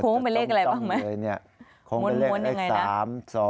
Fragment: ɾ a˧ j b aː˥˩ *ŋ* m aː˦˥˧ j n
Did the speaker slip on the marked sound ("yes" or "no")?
no